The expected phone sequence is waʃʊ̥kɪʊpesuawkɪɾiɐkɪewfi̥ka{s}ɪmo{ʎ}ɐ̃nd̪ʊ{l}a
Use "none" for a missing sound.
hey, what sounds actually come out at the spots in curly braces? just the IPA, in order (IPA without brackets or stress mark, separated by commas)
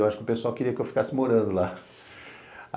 s, ɾ, l